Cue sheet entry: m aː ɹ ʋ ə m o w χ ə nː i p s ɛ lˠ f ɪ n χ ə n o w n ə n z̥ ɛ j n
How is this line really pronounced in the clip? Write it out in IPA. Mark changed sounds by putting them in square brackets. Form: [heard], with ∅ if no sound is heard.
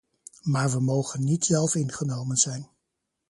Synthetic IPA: m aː ɹ ʋ ə m o w χ ə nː i [t] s ɛ lˠ f ɪ n χ ə n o w [m] ə n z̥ ɛ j n